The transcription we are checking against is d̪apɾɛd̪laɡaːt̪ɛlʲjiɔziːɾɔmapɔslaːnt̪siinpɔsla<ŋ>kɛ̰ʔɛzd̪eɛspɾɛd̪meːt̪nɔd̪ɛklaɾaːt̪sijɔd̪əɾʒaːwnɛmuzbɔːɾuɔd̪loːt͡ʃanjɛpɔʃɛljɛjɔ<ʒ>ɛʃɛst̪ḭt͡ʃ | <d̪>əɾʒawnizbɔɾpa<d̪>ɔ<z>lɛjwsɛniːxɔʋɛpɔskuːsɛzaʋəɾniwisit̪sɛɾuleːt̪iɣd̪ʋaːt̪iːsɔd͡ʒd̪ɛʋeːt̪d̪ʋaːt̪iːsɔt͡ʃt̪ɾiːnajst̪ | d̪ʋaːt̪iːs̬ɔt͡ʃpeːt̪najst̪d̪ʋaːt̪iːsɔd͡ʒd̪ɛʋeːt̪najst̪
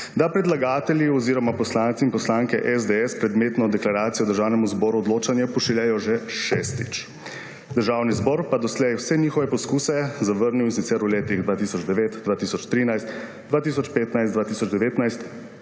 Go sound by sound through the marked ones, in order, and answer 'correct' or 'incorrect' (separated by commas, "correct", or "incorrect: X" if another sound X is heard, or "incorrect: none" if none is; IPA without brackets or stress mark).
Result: correct, correct, correct, correct, incorrect: s